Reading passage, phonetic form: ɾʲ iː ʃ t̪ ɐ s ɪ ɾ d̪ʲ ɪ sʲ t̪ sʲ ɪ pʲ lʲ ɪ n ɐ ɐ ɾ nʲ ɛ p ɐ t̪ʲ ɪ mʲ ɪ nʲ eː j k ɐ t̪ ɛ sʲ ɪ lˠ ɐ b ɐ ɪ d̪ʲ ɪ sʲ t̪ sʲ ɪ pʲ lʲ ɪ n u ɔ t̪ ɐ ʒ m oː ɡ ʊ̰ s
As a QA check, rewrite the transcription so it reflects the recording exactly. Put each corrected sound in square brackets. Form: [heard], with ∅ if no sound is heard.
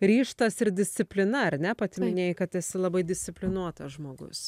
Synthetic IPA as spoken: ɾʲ iː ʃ t̪ ɐ s ɪ ɾ d̪ʲ ɪ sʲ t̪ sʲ ɪ pʲ lʲ ɪ n ɐ ɐ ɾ nʲ ɛ p ɐ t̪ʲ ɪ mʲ ɪ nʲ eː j k ɐ t̪ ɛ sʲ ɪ lˠ ɐ b ɐ ɪ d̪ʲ ɪ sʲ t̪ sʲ ɪ pʲ lʲ ɪ n u ɔ t̪ ɐ ʒ m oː ɡ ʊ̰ s